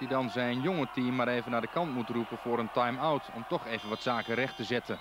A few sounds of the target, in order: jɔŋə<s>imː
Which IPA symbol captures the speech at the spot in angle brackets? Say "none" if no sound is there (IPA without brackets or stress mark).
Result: t